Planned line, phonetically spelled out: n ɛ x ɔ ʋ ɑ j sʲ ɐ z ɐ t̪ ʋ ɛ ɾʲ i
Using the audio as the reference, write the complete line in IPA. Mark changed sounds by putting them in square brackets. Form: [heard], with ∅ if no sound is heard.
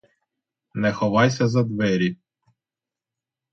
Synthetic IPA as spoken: n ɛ x ɔ ʋ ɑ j sʲ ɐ z ɐ [d̪] ʋ ɛ ɾʲ i

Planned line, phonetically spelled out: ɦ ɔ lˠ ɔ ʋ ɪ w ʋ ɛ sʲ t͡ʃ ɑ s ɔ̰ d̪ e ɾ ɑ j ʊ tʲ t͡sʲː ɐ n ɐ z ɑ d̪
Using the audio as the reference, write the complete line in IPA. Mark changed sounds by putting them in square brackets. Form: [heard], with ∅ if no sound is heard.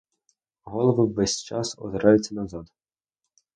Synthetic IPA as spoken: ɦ ɔ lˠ ɔ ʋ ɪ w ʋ ɛ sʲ t͡ʃ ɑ s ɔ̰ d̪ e ɾ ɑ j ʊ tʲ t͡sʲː ɐ n ɐ z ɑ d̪

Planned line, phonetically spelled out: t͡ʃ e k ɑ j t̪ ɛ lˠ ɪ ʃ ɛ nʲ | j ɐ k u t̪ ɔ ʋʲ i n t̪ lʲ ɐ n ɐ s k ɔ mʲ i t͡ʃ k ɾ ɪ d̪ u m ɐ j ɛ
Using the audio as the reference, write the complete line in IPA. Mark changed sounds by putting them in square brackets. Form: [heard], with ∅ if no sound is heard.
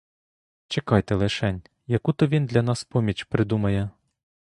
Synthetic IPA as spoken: t͡ʃ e k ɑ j t̪ ɛ lˠ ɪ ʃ ɛ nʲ | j ɐ k u t̪ ɔ ʋʲ i n [d̪] lʲ ɐ n [ɑ] s [p] ɔ mʲ i t͡ʃ [p] ɾ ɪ d̪ u m ɐ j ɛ

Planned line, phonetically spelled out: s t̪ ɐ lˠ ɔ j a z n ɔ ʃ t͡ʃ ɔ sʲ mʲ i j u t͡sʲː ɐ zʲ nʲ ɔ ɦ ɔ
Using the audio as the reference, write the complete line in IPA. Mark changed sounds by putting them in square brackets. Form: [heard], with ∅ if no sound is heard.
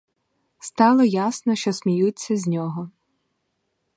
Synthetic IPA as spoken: s t̪ [ɑ] lˠ ɔ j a [s] n ɔ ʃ t͡ʃ ɔ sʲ mʲ i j u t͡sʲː ɐ zʲ nʲ ɔ ɦ ɔ

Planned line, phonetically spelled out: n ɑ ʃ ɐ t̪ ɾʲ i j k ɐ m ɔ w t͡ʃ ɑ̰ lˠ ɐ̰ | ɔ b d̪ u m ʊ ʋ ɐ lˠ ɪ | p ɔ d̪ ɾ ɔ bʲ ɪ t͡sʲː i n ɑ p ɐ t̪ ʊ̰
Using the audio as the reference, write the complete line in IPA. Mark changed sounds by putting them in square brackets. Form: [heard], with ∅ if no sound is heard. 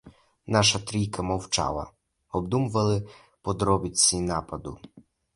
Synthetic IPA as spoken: n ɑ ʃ ɐ t̪ ɾʲ i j k ɐ m ɔ w t͡ʃ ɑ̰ lˠ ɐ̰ | ɔ b d̪ u m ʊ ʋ ɐ lˠ ɪ | p ɔ d̪ ɾ ɔ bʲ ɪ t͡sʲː i n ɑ p ɐ [d̪] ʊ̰

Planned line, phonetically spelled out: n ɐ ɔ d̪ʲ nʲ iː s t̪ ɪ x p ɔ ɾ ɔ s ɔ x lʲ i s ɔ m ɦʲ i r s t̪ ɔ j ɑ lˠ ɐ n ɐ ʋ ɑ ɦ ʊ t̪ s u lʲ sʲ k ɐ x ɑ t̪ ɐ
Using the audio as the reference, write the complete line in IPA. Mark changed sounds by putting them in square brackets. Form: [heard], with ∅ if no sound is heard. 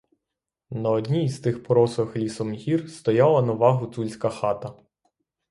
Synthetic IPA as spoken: n ɐ ɔ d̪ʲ nʲ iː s t̪ ɪ x p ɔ ɾ ɔ s ɔ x lʲ i s ɔ m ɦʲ i r s t̪ ɔ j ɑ lˠ ɐ n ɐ ʋ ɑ ɦ ʊ t̪ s u lʲ sʲ k ɐ x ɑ t̪ ɐ

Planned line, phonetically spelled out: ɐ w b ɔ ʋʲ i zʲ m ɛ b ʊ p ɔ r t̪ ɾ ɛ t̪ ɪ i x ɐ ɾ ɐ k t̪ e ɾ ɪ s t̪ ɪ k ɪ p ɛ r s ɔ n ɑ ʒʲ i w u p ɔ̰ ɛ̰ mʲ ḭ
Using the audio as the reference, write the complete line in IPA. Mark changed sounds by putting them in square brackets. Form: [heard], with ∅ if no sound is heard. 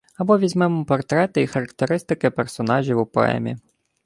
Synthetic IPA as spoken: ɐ [∅] b ɔ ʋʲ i zʲ m ɛ [m] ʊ p ɔ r t̪ ɾ ɛ t̪ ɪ i x ɐ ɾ ɐ k t̪ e ɾ ɪ s t̪ ɪ k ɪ p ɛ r s ɔ n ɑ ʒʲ i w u p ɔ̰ ɛ̰ mʲ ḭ

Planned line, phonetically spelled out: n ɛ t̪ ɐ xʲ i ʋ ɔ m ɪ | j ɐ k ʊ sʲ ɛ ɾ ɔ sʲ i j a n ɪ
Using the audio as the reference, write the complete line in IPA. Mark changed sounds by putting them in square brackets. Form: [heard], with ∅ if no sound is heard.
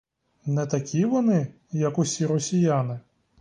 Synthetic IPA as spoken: n ɛ t̪ ɐ [kʲ] i ʋ ɔ [n] ɪ | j ɐ k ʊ sʲ [i] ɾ ɔ sʲ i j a n ɪ

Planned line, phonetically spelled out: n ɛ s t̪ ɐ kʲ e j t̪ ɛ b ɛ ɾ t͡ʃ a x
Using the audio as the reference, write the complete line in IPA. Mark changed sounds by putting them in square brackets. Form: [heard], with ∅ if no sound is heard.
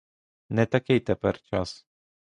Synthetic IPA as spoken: n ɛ [∅] t̪ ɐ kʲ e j t̪ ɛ [p] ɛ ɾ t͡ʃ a [s]

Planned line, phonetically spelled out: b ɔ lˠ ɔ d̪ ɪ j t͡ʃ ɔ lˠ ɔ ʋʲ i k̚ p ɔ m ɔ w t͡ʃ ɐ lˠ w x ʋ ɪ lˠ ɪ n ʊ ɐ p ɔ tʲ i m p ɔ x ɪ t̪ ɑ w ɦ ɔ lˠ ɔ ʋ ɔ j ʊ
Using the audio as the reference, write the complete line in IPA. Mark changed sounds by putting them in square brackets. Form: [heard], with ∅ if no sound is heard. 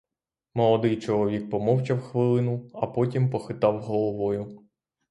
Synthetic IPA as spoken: [m] ɔ lˠ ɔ d̪ ɪ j t͡ʃ ɔ lˠ ɔ ʋʲ i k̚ p ɔ m ɔ w t͡ʃ ɐ [∅] w x ʋ ɪ lˠ ɪ n ʊ ɐ p ɔ tʲ i m p ɔ x ɪ t̪ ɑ w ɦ ɔ lˠ ɔ ʋ ɔ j ʊ

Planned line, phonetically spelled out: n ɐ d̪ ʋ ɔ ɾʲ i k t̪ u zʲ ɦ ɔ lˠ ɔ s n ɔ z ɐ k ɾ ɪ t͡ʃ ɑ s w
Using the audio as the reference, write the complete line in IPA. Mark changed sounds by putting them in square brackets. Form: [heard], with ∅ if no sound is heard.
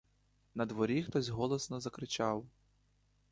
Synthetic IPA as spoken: n ɐ d̪ ʋ ɔ ɾʲ i [x] t̪ [ɔ] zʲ ɦ ɔ lˠ ɔ s n ɔ z ɐ k ɾ ɪ t͡ʃ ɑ [∅] w

